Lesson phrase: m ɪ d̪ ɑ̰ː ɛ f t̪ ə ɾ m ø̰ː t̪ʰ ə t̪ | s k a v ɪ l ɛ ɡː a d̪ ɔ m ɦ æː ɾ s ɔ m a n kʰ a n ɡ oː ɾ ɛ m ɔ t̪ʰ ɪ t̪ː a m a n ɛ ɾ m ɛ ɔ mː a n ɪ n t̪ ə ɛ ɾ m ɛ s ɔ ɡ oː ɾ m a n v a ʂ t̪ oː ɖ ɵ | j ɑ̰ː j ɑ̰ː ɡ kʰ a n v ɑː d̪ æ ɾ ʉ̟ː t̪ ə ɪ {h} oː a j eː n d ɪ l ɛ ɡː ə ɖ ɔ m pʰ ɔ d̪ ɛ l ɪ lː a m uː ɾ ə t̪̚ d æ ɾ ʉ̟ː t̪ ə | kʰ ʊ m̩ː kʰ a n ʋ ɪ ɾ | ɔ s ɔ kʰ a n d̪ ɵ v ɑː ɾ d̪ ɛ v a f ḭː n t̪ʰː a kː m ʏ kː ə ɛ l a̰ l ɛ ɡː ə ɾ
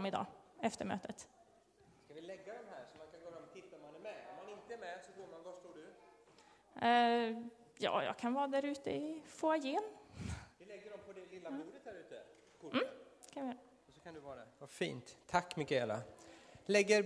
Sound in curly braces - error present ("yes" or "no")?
yes